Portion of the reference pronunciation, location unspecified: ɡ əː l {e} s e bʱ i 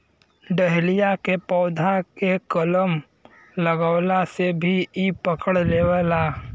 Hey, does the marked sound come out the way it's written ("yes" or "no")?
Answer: no